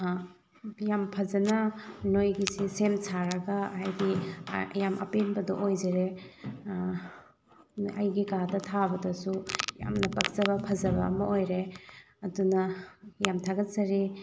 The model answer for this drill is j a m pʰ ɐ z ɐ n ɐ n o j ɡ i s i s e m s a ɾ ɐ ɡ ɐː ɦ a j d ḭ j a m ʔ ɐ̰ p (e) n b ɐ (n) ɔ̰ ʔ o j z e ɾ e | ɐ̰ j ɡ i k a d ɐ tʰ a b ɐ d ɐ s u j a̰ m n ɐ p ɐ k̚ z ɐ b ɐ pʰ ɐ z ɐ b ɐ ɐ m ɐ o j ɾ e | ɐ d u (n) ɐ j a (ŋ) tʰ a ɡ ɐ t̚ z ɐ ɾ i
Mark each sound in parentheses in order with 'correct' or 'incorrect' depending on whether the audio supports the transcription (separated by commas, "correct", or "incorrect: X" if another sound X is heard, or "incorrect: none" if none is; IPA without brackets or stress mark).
correct, incorrect: d, correct, incorrect: m